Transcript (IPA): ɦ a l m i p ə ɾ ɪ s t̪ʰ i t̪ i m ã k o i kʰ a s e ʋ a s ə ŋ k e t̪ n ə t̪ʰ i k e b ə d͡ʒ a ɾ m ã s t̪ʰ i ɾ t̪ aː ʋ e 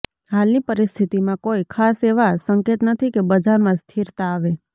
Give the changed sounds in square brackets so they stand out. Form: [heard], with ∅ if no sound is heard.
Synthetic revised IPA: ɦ a l [n] i p ə ɾ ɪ s t̪ʰ i t̪ i m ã k o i kʰ a s e ʋ a s ə ŋ k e t̪ n ə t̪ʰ i k e b ə d͡ʒ a ɾ m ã s t̪ʰ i ɾ t̪ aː ʋ e